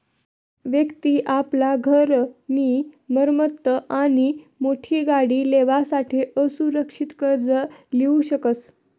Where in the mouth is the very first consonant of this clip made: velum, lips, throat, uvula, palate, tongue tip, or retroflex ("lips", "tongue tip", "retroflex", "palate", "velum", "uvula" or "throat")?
lips